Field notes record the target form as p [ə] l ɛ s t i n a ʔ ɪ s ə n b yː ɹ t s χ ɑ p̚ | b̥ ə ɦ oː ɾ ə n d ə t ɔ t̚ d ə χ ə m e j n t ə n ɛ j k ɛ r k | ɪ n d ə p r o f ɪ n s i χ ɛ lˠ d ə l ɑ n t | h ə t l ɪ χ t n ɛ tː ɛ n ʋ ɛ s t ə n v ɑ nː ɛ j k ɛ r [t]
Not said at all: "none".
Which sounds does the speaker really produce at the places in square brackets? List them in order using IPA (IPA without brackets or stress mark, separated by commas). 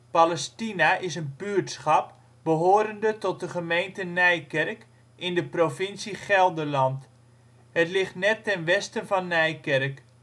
a, k